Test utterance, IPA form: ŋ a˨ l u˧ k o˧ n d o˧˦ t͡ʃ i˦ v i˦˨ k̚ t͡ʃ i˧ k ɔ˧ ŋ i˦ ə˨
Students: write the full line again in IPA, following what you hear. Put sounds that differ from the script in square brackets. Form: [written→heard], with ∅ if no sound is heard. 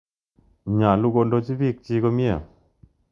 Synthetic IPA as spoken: [ŋ→ɲ] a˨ l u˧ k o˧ n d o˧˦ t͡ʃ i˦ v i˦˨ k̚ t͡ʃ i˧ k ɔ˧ [ŋ→m] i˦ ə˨